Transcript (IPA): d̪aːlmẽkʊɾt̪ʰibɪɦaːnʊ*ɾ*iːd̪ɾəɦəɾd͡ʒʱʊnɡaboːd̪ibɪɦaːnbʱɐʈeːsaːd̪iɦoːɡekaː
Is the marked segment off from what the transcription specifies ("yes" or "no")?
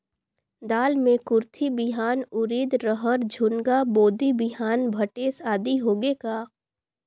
no